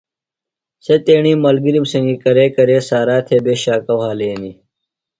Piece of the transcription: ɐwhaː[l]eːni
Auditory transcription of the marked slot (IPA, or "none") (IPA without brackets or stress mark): l